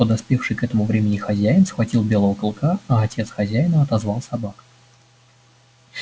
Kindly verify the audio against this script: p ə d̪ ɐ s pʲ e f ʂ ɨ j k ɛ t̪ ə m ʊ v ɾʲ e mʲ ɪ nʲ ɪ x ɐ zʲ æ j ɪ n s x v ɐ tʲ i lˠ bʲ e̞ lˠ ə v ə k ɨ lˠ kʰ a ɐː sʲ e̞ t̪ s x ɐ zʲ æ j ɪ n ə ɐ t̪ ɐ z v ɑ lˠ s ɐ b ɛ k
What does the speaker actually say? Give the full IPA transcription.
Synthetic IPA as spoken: p ə d̪ ɐ s pʲ e f ʂ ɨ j k ɛ t̪ ə m ʊ v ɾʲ e mʲ ɪ nʲ ɪ x ɐ zʲ æ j ɪ n s x v ɐ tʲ i lˠ bʲ e̞ lˠ ə v ə k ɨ lˠ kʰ a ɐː tʲ e̞ t̪ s x ɐ zʲ æ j ɪ n ə ɐ t̪ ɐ z v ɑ lˠ s ɐ b a k